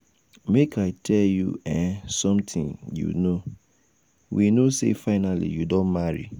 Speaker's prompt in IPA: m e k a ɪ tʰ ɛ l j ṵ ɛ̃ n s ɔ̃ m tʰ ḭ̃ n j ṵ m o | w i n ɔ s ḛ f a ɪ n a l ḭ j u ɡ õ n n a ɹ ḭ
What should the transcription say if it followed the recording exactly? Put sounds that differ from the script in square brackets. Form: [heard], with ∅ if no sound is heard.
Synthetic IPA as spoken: m e k a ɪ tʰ ɛ l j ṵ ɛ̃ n s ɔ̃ m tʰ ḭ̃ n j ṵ [n] o | w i n [o] s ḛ f a ɪ n a l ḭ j u [d] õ n [m] a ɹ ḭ